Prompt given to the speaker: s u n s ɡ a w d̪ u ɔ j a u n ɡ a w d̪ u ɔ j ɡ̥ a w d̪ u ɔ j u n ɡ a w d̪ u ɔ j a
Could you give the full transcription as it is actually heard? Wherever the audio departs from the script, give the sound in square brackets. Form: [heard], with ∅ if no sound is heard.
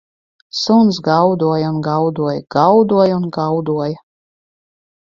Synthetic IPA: s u n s ɡ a w d̪ u ɔ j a u n ɡ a w d̪ u ɔ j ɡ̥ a w d̪ u ɔ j u n ɡ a w d̪ u ɔ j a